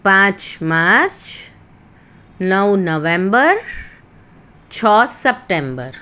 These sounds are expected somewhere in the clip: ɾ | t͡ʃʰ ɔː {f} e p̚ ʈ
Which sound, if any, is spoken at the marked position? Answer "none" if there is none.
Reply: s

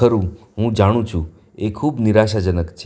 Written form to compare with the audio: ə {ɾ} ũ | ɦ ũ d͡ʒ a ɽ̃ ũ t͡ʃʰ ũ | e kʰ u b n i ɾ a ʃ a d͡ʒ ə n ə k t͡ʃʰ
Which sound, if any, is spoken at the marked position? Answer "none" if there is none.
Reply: ɾ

